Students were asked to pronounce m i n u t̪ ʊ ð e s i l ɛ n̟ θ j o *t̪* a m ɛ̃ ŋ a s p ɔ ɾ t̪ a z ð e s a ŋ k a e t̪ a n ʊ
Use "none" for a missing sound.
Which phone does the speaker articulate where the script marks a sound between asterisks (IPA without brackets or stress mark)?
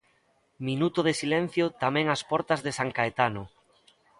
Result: t̪